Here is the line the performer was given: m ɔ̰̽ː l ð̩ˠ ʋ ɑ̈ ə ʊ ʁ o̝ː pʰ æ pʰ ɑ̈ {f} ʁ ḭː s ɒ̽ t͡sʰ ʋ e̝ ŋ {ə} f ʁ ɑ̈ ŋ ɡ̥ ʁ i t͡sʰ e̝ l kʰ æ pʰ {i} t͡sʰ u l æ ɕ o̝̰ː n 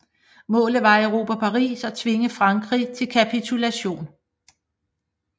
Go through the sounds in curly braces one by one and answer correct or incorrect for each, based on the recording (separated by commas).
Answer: incorrect, correct, correct